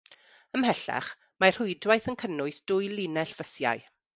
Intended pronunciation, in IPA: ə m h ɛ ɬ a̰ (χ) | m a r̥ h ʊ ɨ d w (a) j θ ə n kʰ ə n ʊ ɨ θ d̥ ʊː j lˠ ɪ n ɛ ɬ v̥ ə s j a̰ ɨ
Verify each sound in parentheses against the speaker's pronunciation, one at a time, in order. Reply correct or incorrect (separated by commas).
correct, correct